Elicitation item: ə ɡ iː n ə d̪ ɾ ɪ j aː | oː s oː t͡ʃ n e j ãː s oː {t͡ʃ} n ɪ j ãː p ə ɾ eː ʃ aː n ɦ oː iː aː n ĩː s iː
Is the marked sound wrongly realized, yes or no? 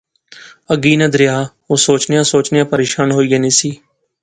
no